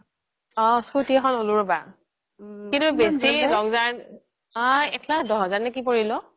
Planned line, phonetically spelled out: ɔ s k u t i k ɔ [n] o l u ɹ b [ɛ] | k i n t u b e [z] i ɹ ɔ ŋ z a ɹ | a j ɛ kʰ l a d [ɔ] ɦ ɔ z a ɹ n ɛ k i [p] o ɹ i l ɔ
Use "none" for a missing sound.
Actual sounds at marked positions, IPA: n, a, s, ɔ, p

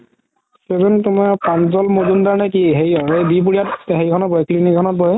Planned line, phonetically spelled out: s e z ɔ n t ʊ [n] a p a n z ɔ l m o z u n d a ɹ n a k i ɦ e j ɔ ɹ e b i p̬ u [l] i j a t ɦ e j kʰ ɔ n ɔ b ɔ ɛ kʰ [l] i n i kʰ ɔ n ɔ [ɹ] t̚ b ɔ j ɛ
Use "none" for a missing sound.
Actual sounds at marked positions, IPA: m, ɹ, l, none

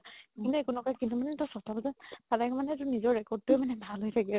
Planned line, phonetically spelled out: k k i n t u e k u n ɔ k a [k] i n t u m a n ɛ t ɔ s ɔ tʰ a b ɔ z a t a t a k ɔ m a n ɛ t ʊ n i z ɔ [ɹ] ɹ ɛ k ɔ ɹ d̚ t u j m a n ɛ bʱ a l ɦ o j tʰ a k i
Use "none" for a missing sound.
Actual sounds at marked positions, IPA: k, ɹ

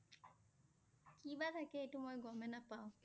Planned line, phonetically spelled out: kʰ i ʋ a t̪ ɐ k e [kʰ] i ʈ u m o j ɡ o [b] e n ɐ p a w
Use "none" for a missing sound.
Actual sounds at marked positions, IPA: none, m

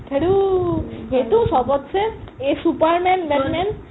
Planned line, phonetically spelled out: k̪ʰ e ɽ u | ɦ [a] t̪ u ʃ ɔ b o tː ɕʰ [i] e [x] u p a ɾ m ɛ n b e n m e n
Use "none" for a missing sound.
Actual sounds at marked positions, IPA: e, e, s

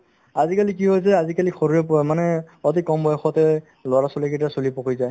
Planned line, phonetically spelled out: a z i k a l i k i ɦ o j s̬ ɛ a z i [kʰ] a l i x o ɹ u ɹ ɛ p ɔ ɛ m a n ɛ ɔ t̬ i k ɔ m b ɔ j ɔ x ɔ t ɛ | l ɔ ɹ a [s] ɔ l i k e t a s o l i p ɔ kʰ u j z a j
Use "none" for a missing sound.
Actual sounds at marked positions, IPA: k, s

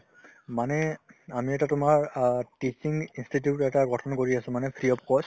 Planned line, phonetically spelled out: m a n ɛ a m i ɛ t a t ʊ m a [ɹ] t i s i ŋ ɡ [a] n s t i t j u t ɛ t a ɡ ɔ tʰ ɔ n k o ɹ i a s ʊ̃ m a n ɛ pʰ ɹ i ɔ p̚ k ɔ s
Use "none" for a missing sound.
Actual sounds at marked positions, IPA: ɹ, i

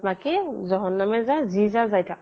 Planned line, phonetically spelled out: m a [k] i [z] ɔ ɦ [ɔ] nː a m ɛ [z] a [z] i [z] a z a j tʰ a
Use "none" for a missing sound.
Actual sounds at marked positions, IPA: k, z, ɔ, z, z, z

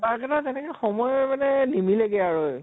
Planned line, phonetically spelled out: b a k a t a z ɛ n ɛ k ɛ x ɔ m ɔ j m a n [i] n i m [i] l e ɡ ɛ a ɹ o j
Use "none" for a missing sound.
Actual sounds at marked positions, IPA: ɛ, i

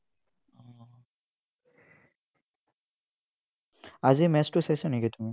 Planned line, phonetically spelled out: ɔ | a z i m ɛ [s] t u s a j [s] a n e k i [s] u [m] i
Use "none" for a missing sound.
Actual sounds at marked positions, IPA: s, s, t, m

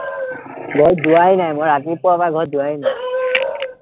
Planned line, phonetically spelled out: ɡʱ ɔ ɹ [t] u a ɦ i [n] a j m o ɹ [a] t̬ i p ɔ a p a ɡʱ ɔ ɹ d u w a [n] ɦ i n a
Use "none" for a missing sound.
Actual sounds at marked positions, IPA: d, n, a, none

